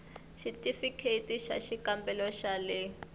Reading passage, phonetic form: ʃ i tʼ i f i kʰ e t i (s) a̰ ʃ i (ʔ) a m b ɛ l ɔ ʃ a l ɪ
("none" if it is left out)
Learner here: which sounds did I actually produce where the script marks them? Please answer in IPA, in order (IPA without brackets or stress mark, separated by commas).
ʃ, k